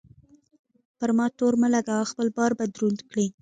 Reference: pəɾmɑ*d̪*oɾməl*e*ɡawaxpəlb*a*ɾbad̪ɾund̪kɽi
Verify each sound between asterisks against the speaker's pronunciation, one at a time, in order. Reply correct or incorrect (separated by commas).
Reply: incorrect, incorrect, incorrect